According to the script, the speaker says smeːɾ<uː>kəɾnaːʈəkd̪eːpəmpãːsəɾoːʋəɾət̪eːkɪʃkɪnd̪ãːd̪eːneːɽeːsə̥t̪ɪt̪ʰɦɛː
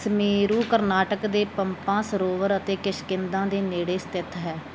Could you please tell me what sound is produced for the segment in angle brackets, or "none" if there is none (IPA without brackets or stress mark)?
uː